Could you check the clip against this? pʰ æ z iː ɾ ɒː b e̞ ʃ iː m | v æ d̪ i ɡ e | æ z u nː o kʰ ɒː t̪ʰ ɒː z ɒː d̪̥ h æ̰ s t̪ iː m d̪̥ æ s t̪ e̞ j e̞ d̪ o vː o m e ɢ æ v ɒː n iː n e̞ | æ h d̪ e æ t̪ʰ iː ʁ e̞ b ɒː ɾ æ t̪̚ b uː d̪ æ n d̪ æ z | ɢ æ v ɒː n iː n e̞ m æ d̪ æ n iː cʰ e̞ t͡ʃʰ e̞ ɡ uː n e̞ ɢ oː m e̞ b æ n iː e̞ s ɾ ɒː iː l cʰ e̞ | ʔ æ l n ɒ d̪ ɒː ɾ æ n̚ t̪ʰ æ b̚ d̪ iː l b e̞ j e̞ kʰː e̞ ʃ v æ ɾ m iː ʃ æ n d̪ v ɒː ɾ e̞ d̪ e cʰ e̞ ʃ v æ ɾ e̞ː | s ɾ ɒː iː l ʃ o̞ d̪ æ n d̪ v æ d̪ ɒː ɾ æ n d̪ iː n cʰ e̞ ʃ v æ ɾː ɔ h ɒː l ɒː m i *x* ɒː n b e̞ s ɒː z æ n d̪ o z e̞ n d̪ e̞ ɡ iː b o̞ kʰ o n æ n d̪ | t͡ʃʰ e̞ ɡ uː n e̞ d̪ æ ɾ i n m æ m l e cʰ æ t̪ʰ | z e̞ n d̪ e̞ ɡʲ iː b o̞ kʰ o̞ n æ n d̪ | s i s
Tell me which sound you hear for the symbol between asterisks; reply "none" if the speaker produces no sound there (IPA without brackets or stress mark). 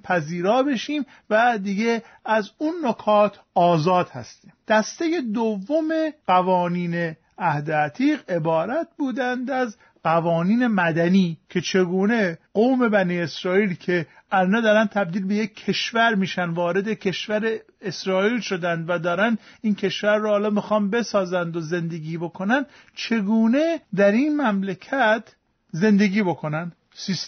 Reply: x